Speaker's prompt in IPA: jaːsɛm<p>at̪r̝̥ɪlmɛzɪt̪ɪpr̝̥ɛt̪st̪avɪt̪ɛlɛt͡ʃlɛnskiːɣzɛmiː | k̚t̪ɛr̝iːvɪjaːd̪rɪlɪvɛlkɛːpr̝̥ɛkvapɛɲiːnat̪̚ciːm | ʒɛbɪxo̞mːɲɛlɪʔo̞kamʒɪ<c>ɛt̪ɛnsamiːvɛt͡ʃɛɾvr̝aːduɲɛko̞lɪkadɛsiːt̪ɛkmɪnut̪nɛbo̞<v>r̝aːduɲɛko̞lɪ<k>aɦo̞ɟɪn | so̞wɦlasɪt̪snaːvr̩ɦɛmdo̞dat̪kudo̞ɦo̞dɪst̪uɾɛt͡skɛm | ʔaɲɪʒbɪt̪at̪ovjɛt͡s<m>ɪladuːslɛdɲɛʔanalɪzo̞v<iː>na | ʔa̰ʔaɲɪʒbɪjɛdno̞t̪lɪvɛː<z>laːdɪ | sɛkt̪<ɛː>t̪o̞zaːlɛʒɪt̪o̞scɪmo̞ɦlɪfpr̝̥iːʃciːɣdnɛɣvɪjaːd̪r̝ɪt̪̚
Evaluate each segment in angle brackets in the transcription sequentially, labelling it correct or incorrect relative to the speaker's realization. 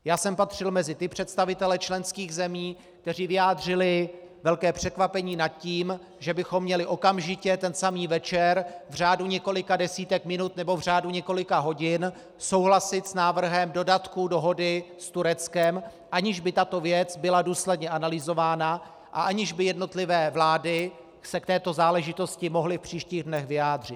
correct, correct, correct, correct, incorrect: b, incorrect: aː, incorrect: v, correct

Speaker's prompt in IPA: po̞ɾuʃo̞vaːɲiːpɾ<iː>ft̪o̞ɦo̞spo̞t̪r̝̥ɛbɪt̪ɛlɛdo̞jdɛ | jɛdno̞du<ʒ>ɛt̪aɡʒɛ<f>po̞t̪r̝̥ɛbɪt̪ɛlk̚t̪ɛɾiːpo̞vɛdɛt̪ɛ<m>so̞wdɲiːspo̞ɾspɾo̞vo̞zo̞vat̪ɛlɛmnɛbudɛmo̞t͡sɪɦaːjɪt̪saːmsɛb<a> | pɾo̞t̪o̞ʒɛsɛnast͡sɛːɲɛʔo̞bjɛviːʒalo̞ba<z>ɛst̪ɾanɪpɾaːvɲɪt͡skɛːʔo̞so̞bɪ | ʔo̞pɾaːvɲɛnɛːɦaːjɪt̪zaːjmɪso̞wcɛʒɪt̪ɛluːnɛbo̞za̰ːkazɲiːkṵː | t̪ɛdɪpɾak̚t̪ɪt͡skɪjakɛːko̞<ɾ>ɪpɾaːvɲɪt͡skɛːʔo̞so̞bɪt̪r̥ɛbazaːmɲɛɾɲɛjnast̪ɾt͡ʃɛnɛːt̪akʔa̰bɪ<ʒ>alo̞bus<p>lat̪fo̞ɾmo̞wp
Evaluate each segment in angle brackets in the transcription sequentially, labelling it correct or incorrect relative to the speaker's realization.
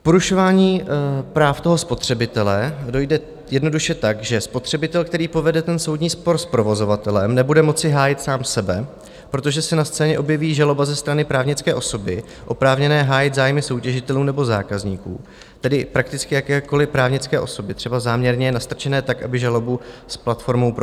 incorrect: aː, incorrect: ʃ, incorrect: s, incorrect: n, incorrect: ɛ, correct, incorrect: l, correct, correct

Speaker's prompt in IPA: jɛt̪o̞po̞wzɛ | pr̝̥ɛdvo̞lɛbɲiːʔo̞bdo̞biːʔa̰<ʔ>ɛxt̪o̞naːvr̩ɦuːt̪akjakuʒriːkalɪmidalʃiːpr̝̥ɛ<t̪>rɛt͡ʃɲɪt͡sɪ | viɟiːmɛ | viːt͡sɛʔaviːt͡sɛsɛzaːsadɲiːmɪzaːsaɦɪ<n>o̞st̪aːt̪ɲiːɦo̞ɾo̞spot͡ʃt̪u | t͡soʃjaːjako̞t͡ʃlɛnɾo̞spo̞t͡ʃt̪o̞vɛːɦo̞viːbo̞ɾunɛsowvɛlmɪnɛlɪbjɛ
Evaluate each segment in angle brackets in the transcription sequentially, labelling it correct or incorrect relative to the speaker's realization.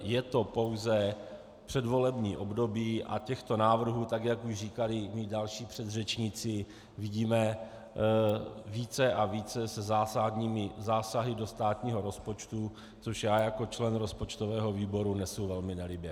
incorrect: c, incorrect: d̪, incorrect: d

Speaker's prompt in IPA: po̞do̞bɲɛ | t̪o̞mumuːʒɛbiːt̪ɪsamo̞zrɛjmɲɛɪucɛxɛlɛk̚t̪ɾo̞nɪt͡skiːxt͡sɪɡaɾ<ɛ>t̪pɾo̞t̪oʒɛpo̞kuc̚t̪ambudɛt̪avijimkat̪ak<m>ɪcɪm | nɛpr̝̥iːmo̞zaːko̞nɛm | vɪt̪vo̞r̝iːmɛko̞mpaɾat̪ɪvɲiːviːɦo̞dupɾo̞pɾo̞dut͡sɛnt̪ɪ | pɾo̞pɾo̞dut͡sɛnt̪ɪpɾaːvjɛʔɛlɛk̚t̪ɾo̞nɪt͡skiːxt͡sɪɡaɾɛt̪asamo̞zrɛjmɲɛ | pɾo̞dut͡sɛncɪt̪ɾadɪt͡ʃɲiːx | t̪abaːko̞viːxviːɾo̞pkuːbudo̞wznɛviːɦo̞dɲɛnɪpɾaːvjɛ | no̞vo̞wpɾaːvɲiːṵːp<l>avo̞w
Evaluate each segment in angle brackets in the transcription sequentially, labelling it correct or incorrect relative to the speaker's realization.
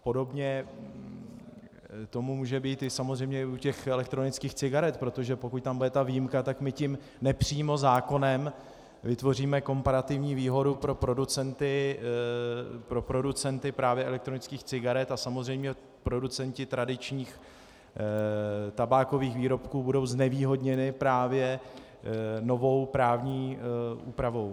correct, correct, incorrect: ɾ

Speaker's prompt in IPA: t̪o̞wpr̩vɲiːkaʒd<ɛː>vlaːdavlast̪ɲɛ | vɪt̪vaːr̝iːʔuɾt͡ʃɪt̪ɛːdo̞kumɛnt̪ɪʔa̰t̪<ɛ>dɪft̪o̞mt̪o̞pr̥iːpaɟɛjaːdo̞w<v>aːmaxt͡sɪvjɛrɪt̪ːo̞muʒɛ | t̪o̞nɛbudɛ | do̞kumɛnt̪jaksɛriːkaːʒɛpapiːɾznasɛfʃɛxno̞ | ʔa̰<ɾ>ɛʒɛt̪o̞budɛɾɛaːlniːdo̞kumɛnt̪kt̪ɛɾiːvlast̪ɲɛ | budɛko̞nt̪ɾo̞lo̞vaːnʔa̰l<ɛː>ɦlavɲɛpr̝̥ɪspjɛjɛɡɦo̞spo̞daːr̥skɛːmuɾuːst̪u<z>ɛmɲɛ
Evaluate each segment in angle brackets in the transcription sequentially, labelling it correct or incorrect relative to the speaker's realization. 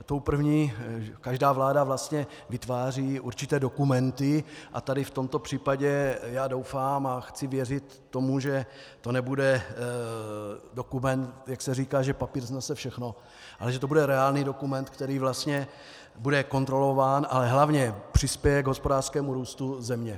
incorrect: aː, incorrect: a, incorrect: f, incorrect: l, incorrect: ɛ, correct

